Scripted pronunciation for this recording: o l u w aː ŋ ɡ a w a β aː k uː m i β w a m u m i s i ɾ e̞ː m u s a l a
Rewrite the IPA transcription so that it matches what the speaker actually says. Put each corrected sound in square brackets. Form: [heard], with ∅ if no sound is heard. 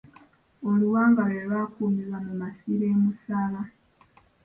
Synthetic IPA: o l u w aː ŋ ɡ a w [e] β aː k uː m i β w a m u m [a] s i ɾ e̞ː m u s a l a